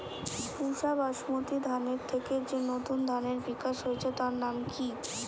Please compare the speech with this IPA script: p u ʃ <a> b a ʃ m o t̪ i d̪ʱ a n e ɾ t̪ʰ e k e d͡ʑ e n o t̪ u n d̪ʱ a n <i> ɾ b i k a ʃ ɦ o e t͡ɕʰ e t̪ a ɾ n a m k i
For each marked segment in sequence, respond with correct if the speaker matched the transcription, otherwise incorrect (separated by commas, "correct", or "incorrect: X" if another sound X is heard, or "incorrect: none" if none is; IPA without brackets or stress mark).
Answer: correct, incorrect: e